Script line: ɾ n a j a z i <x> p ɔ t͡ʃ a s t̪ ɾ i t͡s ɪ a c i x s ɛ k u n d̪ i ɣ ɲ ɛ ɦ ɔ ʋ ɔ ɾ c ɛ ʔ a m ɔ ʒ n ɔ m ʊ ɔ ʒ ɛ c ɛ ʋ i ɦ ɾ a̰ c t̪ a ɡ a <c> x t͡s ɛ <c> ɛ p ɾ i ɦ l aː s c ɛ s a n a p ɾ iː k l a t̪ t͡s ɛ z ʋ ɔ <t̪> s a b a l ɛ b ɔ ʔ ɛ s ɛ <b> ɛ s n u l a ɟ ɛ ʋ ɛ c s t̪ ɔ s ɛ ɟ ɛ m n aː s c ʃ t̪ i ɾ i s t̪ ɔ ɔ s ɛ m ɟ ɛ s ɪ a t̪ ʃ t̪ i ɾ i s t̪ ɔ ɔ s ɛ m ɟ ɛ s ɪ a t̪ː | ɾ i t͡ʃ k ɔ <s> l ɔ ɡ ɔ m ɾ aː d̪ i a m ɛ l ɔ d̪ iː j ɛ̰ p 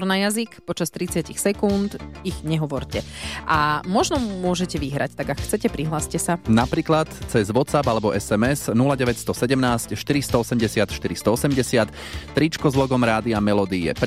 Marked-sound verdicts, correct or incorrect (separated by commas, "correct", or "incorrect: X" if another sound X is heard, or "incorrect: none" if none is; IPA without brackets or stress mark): incorrect: k, incorrect: k, correct, correct, incorrect: m, incorrect: z